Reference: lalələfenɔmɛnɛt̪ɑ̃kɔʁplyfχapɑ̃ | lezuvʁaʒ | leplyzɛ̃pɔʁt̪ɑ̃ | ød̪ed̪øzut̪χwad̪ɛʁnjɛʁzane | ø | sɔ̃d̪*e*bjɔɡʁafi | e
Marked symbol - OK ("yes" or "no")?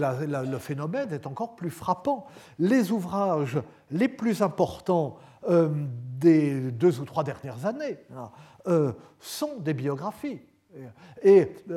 yes